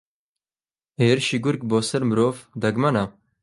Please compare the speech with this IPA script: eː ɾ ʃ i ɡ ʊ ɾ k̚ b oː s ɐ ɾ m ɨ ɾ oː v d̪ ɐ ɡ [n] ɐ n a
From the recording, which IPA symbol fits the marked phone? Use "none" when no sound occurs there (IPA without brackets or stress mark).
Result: m